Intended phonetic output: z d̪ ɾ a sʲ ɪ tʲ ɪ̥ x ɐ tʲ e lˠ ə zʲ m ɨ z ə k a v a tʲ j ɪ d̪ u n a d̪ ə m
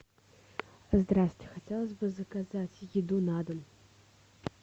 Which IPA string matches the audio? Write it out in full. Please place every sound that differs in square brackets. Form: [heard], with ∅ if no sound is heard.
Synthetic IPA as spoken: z d̪ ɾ a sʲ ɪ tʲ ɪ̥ x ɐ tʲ e lˠ ə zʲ [b] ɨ z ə k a [z] a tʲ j ɪ d̪ u n a d̪ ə m